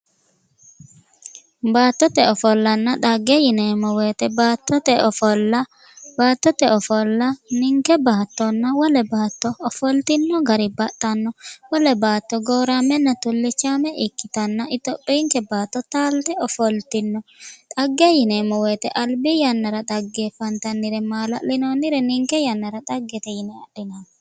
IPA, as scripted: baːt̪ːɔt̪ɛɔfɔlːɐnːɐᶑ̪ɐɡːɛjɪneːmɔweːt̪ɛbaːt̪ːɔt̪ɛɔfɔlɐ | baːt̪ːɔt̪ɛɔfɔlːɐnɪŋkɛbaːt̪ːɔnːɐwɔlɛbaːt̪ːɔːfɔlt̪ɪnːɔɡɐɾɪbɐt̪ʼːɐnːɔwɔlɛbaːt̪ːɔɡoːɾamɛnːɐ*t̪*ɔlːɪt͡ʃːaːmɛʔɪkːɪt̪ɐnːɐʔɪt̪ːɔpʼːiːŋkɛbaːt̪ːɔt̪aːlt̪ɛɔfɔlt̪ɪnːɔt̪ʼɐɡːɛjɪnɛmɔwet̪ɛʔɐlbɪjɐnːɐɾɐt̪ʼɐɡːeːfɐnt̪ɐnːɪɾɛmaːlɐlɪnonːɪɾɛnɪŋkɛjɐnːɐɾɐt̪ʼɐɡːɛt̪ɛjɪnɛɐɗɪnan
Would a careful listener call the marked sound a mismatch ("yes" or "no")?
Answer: no